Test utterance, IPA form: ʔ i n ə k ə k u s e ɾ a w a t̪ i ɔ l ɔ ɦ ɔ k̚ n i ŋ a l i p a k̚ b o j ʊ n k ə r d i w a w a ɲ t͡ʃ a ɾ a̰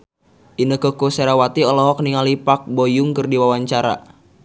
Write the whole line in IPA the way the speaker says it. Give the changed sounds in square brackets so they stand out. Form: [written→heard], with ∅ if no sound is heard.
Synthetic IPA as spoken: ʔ i n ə k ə k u s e ɾ a w a t̪ i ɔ l ɔ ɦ ɔ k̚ n i ŋ a l i p a k̚ b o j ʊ [n→ŋ] k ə r d i w a w a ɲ t͡ʃ a ɾ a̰